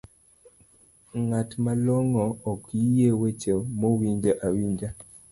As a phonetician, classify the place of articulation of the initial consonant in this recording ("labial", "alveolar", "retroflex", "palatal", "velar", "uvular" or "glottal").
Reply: velar